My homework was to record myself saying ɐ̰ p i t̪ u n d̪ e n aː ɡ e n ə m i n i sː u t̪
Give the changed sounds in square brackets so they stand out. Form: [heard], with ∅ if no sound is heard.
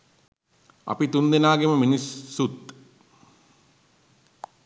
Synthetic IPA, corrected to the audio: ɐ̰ p i t̪ u n d̪ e n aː ɡ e [m] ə m i n i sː u t̪